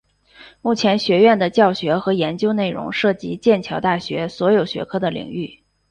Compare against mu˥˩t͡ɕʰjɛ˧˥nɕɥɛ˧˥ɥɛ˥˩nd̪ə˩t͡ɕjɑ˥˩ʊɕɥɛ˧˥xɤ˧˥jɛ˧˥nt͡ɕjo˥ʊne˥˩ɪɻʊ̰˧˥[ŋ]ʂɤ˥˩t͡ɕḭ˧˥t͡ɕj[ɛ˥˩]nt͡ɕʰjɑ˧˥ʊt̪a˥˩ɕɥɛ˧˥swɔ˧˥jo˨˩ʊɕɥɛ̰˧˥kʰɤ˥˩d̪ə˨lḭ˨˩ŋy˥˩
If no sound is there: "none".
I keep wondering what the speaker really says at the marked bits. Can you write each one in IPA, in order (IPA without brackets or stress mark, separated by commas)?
ŋ, ɛ˥˩